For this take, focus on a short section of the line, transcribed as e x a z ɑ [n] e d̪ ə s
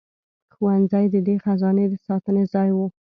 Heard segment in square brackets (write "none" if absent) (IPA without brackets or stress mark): n